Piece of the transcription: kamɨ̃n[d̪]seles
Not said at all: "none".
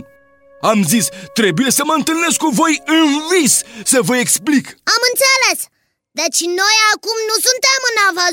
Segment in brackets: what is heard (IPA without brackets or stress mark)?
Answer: t̪